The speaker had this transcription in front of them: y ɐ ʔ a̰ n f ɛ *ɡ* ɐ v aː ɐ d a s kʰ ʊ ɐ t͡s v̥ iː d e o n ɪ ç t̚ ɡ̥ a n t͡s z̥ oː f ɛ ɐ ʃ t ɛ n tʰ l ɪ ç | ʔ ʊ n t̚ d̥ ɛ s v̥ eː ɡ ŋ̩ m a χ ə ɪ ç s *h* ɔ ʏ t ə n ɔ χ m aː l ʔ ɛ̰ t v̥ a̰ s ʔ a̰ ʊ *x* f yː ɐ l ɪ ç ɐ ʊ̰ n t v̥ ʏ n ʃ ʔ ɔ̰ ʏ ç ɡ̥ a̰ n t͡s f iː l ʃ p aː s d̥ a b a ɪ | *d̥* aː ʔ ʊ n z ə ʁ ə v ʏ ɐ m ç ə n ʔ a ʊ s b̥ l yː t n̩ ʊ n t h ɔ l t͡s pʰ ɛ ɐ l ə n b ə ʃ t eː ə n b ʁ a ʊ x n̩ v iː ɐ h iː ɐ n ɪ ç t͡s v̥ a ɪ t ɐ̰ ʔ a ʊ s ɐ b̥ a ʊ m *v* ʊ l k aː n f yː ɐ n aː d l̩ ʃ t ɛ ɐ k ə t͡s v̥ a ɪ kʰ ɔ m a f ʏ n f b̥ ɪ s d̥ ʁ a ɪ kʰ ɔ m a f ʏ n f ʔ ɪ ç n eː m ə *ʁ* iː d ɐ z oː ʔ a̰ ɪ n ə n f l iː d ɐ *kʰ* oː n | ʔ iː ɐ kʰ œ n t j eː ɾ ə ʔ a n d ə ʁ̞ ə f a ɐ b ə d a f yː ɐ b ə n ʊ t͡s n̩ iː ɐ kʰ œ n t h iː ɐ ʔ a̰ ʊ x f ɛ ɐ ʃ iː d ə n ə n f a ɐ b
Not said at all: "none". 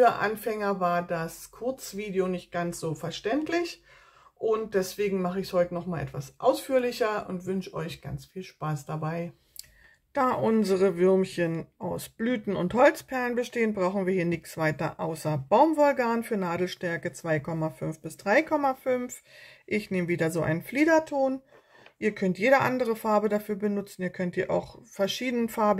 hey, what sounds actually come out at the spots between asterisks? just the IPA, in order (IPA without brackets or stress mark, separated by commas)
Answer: ŋ, h, s, d̥, v, v, tʰ